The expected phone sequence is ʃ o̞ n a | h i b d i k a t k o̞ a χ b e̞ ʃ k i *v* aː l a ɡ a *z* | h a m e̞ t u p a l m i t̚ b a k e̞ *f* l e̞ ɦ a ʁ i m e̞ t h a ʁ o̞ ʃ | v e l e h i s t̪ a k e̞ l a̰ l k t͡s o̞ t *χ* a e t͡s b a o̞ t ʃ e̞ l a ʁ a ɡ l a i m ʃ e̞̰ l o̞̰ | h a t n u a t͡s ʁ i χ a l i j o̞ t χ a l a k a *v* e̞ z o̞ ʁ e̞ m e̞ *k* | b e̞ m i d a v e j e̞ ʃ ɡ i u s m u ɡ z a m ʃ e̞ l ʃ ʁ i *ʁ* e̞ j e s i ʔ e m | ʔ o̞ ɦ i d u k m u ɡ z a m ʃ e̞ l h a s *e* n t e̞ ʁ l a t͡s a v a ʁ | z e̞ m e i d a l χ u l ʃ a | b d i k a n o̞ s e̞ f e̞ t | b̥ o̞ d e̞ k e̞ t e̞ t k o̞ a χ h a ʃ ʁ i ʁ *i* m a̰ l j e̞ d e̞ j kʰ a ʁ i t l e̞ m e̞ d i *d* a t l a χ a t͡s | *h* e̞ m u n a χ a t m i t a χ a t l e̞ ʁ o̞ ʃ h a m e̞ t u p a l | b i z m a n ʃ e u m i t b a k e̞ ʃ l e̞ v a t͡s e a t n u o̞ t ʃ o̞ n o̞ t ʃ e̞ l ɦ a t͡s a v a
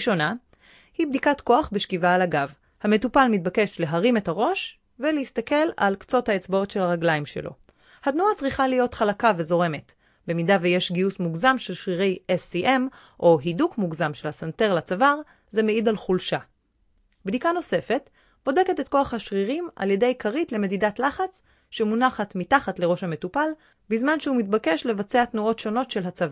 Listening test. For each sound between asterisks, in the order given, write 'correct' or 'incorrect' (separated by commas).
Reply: correct, incorrect, incorrect, incorrect, correct, incorrect, correct, incorrect, correct, correct, incorrect